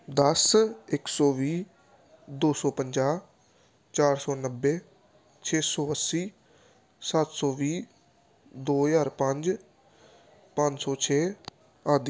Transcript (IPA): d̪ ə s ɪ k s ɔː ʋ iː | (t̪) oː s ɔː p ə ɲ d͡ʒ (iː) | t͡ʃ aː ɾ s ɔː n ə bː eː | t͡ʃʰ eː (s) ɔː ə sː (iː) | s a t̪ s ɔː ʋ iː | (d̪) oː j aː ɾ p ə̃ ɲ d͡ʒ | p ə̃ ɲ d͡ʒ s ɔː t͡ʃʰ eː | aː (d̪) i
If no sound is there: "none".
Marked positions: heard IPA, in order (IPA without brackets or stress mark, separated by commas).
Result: d̪, aː, s, iː, d̪, d̪